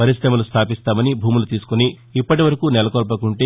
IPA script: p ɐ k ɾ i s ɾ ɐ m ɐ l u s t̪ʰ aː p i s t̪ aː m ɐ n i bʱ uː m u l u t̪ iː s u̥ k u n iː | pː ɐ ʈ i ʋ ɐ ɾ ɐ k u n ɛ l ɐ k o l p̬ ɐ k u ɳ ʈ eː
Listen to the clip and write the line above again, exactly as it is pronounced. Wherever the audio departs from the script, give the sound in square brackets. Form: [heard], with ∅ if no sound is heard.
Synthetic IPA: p ɐ [∅] ɾ i s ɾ ɐ m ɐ l u s t̪ʰ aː p i s t̪ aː m ɐ n i bʱ uː m u l u t̪ iː s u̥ k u n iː | pː ɐ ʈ i ʋ ɐ ɾ ɐ k u n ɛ l ɐ k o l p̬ ɐ k u ɳ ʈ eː